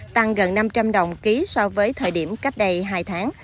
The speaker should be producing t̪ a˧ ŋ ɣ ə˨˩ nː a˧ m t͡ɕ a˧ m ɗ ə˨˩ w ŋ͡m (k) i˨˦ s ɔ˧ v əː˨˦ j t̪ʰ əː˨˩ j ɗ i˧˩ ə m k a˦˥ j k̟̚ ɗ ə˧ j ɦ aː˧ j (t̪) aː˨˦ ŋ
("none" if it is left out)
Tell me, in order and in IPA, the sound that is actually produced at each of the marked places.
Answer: k, t̪ʰ

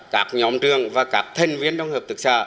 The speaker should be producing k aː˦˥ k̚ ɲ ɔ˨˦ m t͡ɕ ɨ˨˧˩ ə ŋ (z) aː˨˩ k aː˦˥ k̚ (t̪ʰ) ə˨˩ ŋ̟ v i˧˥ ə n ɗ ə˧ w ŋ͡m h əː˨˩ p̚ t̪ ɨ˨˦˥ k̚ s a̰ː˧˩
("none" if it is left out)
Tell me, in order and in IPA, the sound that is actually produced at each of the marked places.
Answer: v, t̪ʰ

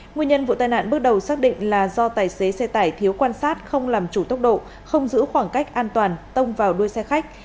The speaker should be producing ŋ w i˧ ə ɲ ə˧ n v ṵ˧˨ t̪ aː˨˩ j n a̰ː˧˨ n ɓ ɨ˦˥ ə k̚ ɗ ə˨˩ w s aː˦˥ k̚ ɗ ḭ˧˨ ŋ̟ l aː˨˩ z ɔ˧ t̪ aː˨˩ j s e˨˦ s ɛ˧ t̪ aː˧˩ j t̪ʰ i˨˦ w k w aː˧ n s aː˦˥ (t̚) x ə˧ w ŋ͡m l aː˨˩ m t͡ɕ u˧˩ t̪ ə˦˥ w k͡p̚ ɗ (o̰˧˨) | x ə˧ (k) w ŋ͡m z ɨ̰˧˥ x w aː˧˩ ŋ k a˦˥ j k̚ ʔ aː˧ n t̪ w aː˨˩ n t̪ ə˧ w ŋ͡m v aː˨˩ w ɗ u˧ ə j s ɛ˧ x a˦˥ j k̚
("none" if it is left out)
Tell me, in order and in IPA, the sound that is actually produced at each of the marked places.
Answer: t̚, o̰˧˨, none

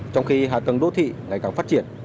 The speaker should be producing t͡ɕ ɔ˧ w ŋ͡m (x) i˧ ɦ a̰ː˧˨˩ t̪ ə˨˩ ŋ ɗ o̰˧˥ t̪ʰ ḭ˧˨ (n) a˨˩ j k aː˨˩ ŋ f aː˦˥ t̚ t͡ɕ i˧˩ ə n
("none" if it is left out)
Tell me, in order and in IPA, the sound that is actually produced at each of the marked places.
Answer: x, ŋ

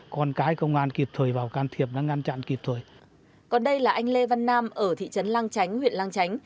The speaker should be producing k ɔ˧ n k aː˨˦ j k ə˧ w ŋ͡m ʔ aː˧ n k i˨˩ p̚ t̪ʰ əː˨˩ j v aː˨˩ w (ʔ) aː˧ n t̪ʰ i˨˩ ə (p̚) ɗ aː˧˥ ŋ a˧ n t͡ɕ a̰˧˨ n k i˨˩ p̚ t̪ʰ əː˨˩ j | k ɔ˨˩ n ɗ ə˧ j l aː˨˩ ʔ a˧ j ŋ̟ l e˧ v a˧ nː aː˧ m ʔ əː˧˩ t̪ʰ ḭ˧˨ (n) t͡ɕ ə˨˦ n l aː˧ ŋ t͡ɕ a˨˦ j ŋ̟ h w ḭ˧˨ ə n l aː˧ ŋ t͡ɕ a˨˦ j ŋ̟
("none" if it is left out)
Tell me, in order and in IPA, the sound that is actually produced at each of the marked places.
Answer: k, p̚, none

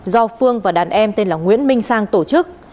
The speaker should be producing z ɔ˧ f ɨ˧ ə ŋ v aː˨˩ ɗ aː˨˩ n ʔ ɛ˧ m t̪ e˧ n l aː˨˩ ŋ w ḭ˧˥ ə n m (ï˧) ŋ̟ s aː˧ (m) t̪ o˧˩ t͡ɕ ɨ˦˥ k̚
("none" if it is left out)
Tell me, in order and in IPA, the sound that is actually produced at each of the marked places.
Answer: ï˧, ŋ

